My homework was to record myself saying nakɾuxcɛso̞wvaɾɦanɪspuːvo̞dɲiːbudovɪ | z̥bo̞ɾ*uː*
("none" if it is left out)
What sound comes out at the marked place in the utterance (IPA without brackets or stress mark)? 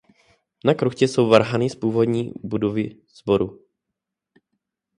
u